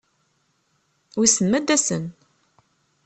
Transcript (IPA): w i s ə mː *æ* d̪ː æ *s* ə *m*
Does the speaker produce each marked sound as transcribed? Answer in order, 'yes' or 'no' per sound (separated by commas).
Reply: yes, yes, no